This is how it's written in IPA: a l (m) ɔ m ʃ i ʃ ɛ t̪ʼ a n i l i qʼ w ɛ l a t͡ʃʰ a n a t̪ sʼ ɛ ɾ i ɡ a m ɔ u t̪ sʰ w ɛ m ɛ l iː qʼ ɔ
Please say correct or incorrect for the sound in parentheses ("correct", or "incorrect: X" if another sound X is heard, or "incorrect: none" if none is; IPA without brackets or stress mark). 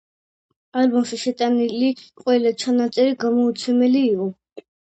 incorrect: b